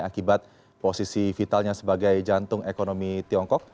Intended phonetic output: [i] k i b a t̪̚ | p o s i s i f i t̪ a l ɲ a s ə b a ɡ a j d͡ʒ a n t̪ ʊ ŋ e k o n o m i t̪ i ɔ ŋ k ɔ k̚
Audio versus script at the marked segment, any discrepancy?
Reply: yes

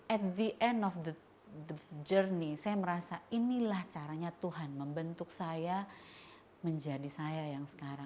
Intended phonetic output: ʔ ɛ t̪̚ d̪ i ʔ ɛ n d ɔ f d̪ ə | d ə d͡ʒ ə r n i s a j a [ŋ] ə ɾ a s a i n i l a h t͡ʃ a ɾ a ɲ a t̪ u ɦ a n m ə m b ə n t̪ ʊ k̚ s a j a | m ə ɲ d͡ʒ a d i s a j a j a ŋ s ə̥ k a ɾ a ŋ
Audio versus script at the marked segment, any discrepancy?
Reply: yes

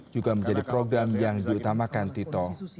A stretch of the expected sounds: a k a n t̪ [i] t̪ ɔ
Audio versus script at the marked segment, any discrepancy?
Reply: no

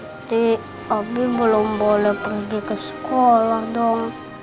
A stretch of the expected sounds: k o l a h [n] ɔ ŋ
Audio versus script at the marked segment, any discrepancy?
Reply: yes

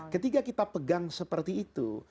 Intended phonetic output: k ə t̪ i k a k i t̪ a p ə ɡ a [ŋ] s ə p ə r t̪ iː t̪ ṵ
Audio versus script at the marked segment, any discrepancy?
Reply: no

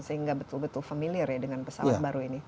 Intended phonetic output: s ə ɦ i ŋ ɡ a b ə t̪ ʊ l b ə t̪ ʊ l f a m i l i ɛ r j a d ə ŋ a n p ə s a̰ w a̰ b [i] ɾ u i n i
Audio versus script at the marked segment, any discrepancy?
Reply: yes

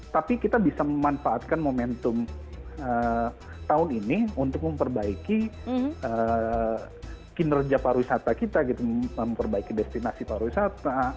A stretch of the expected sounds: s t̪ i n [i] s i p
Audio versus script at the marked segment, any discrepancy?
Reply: yes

